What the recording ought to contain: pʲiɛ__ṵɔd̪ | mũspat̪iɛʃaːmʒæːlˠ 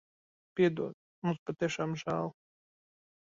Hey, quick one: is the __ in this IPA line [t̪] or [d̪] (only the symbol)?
d̪